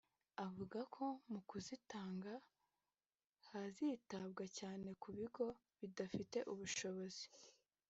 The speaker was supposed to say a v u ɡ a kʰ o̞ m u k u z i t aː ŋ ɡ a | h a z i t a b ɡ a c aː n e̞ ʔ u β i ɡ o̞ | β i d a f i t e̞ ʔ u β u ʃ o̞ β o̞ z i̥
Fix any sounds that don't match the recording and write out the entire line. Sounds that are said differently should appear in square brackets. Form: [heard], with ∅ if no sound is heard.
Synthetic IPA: a v u ɡ a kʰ o̞ m u k u z i t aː ŋ ɡ a | h a z i t a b ɡ a c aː n e̞ [k] u β i ɡ o̞ | β i d a f i t e̞ ʔ u β u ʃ o̞ β o̞ z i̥